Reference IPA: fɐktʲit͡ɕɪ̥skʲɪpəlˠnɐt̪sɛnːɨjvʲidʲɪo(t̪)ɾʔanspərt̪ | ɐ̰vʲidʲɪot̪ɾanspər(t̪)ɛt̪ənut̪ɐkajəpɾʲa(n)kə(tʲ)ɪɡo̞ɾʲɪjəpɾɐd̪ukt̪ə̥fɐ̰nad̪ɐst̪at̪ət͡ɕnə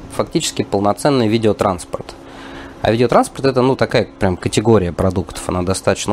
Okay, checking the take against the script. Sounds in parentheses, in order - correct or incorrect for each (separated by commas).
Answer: correct, correct, incorrect, correct